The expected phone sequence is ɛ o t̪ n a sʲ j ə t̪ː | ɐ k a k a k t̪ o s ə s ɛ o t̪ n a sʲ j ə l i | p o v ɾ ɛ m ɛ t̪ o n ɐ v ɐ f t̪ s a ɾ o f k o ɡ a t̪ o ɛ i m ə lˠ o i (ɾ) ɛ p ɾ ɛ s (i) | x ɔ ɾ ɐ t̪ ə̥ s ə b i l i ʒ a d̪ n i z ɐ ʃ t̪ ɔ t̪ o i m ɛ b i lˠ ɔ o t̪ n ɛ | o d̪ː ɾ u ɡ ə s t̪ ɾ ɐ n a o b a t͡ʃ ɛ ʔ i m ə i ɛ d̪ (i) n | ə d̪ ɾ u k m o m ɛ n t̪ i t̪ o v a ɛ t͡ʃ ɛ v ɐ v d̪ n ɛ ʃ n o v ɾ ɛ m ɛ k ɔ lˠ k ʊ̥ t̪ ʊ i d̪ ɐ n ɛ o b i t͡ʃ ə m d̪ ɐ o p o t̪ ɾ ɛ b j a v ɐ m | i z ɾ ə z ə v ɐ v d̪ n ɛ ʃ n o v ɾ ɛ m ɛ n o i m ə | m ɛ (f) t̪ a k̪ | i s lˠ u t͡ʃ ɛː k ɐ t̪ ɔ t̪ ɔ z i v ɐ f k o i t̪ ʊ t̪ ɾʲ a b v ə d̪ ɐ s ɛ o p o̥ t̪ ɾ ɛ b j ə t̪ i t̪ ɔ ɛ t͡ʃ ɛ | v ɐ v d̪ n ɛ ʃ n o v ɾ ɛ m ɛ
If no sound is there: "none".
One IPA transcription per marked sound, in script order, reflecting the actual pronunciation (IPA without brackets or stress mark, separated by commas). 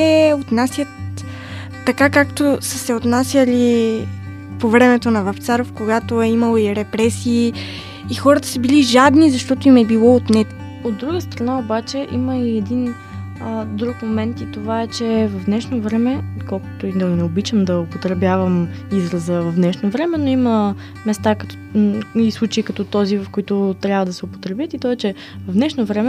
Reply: ɾ, iː, i, s